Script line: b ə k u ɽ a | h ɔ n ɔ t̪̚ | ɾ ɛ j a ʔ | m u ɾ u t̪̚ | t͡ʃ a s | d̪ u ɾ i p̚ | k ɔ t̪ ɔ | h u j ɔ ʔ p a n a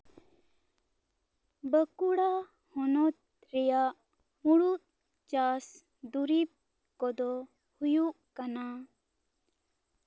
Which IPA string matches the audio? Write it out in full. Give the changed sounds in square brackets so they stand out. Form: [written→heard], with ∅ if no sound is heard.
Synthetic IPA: b ə k u ɽ a | h ɔ n ɔ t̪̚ | ɾ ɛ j a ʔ | m u [ɾ→ɽ] u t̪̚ | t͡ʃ a s | d̪ u ɾ i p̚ | k ɔ [t̪→d̪] ɔ | h u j [ɔ→u] ʔ [p→k] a n a